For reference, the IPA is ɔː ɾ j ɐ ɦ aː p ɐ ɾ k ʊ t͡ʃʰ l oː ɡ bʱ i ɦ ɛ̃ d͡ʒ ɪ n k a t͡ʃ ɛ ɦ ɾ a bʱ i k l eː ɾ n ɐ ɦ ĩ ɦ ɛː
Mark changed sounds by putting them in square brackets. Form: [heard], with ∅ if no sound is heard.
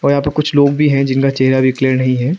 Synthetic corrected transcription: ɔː ɾ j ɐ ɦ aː p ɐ ɾ k ʊ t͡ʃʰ l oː ɡ bʱ i ɦ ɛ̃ d͡ʒ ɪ n k a t͡ʃ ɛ ɦ ɾ a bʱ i k l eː ɾ n ɐ ɦ ĩ ɦ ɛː